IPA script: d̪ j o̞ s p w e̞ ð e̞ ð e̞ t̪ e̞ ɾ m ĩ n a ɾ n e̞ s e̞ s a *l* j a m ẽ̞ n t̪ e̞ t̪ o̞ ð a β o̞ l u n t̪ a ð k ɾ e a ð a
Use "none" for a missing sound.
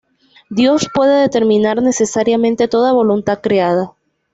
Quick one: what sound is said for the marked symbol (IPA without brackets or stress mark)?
ɾ